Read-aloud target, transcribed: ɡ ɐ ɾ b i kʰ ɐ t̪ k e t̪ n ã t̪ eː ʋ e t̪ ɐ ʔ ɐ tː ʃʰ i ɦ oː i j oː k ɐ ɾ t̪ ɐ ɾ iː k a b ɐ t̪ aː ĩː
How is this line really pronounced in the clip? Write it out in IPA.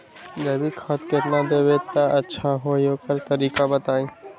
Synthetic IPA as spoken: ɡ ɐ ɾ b i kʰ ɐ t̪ k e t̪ n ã d̪ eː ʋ e t̪ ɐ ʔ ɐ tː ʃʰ a ɦ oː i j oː k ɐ ɾ t̪ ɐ ɾ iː k a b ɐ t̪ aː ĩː